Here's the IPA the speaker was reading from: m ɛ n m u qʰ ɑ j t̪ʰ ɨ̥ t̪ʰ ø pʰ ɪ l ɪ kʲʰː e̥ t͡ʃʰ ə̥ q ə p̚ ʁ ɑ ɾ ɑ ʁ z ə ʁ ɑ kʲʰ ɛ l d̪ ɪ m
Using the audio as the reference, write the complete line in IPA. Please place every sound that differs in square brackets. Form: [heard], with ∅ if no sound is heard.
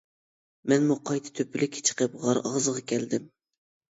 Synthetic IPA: m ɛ n m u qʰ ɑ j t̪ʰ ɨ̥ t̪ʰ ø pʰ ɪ l ɪ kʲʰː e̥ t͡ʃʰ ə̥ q ə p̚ ʁ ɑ ɾ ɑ ʁ z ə ʁ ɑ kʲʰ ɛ l d̪ ɪ m